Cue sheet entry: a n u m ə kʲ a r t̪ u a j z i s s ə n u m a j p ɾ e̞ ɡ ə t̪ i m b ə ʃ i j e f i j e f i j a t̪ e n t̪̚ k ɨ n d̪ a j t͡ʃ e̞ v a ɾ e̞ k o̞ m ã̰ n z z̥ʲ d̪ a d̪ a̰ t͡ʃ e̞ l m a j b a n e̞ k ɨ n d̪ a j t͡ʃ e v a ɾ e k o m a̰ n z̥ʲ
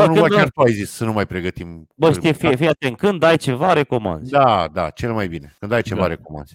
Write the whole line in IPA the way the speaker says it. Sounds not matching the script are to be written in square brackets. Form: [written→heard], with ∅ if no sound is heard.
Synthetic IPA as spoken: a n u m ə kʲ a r t̪ u a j z i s s ə n u m a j p ɾ e̞ ɡ ə t̪ i m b ə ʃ i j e f i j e f i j a t̪ e n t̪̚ k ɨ n d̪ a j t͡ʃ e̞ v a ɾ e̞ k o̞ m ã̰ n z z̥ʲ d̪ a d̪ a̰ t͡ʃ e̞ l m a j b [a→i] n e̞ k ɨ n d̪ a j t͡ʃ e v a ɾ e k o m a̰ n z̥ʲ